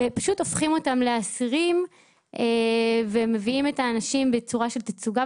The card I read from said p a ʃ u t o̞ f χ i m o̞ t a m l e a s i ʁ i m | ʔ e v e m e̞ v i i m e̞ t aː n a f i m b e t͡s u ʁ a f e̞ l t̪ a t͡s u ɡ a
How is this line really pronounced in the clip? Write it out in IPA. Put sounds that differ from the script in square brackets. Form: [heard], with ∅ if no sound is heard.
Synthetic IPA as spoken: p a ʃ u t o̞ f χ i m o̞ t a m l e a s i ʁ i m | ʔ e v e m e̞ v i i m e̞ t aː n a [ʃ] i m b e t͡s u ʁ a [ʃ] e̞ l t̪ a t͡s u ɡ a